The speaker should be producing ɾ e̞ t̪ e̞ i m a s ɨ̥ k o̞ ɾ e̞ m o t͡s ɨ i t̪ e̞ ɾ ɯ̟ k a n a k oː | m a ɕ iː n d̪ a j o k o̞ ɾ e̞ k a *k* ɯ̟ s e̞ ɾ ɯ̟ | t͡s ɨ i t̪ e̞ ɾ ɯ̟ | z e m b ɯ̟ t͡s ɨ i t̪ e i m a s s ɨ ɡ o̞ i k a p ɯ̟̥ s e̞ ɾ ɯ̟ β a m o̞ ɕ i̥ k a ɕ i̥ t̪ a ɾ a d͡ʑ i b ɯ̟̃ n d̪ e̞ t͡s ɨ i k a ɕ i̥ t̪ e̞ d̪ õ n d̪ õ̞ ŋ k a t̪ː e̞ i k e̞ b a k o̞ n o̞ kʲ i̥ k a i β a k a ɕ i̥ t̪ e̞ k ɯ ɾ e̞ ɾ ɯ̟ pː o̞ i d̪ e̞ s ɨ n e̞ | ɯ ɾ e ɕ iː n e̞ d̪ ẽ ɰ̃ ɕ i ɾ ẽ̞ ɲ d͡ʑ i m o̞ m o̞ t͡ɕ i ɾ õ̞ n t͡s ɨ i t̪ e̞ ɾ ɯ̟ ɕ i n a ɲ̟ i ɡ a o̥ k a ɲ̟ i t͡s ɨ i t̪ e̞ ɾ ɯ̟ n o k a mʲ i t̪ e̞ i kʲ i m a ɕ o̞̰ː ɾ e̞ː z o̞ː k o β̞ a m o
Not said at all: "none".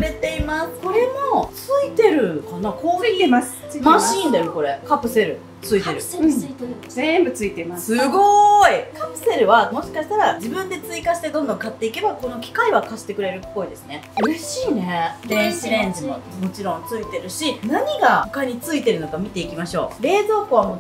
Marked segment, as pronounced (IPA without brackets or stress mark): p